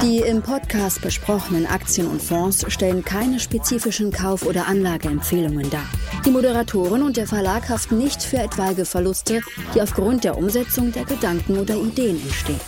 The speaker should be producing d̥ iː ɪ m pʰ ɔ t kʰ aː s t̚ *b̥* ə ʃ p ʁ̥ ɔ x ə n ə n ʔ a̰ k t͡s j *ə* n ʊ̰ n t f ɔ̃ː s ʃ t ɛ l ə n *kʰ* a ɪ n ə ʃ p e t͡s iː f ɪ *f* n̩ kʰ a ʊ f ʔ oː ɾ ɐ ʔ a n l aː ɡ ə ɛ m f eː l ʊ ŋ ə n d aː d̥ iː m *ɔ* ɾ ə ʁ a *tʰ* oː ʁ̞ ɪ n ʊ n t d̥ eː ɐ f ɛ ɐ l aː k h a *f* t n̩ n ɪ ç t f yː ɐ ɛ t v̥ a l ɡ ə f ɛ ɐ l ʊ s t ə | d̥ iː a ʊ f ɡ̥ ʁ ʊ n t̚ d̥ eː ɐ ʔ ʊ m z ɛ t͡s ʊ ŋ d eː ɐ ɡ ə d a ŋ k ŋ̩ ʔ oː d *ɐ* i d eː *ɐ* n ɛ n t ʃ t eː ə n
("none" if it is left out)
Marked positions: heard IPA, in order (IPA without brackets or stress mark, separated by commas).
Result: b̥, ə, kʰ, ʃ, o, tʰ, f, ɐ, ə